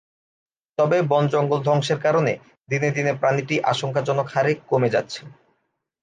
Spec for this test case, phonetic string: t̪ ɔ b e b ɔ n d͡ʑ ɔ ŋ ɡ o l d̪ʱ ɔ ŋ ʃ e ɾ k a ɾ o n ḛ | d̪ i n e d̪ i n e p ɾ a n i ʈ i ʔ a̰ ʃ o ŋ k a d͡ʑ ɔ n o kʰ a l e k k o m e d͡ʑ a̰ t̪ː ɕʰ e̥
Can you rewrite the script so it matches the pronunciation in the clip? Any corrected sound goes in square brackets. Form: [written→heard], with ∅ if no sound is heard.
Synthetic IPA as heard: t̪ ɔ b e b ɔ n d͡ʑ ɔ ŋ ɡ o l d̪ʱ ɔ ŋ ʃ e ɾ k a ɾ o n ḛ | d̪ i n e d̪ i n e p ɾ a n i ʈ i ʔ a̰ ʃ o ŋ k a d͡ʑ ɔ n o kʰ a [l→ɾ] e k k o m e d͡ʑ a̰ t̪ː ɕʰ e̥